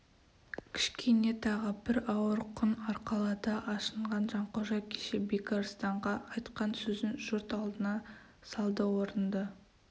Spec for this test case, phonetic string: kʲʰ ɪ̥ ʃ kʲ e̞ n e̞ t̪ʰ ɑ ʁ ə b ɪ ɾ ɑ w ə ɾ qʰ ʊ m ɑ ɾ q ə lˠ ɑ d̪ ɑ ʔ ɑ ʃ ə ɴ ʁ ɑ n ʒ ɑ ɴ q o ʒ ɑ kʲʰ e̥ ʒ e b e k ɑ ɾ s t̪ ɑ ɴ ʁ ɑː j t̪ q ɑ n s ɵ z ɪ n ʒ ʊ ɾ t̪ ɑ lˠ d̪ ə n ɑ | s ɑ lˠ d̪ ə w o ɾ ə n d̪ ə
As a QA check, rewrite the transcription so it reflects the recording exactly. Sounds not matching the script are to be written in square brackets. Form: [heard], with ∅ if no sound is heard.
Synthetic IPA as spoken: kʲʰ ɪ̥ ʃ kʲ e̞ n e̞ t̪ʰ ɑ ʁ ə b ɪ ɾ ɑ w ə ɾ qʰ ʊ [n] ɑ ɾ q [ɑ] lˠ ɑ d̪ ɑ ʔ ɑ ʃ ə ɴ ʁ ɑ n ʒ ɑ ɴ q o ʒ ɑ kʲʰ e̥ [ʃ] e b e k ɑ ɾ s t̪ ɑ ɴ ʁ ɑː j t̪ q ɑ n s ɵ z ɪ n ʒ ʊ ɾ t̪ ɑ lˠ d̪ ə n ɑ | s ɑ lˠ d̪ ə w o ɾ ə n d̪ ə

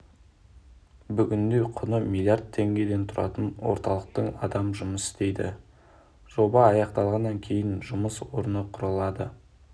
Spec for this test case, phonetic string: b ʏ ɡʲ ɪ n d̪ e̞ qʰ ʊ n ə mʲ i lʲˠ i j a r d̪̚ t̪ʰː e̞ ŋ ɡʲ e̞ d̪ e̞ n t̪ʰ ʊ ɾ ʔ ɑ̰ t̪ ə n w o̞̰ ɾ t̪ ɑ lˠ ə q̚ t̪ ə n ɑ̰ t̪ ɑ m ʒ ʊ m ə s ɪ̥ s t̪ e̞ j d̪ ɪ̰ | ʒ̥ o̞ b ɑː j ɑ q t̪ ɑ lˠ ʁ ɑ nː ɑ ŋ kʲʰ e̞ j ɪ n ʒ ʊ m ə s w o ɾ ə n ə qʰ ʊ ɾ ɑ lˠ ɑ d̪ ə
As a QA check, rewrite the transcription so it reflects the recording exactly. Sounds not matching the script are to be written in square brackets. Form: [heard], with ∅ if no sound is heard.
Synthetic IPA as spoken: b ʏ ɡʲ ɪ n d̪ e̞ qʰ ʊ n ə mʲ i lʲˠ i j a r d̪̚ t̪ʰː e̞ ŋ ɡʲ e̞ d̪ e̞ n t̪ʰ ʊ ɾ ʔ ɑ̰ t̪ ə n w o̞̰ ɾ t̪ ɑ lˠ ə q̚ t̪ ə [ɴ] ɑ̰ [d̪] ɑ m ʒ ʊ m ə s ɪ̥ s t̪ e̞ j d̪ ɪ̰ | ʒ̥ o̞ b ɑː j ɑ q t̪ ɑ lˠ ʁ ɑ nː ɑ ŋ kʲʰ e̞ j ɪ n ʒ ʊ m ə s w o ɾ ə n ə qʰ ʊ ɾ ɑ lˠ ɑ d̪ ə

